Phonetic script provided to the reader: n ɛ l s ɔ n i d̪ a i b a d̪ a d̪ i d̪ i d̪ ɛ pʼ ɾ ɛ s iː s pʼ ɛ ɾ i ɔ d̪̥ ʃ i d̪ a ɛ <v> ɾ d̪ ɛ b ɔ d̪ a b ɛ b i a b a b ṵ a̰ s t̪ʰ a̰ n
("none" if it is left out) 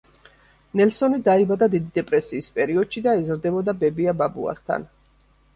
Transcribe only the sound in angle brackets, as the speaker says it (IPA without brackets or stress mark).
z